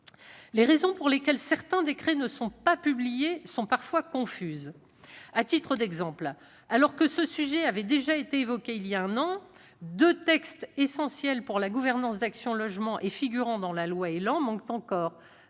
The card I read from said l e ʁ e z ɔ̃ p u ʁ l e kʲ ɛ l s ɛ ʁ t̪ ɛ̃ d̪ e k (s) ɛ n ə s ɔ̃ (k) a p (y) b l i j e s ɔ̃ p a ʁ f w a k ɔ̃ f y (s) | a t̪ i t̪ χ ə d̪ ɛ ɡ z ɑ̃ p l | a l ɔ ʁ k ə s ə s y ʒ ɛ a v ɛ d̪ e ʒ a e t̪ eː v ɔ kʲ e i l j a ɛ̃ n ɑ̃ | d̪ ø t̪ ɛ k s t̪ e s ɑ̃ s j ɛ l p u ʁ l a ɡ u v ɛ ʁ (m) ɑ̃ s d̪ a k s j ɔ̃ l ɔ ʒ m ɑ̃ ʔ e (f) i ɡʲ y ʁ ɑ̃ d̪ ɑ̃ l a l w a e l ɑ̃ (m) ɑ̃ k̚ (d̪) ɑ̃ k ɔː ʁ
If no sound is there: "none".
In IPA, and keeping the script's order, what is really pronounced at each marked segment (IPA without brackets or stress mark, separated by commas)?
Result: χ, p, y, z, n, f, m, t̪